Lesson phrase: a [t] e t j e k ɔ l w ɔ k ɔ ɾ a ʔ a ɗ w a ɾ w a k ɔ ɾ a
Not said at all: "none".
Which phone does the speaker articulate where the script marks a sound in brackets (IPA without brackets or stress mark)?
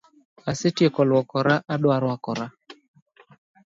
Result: s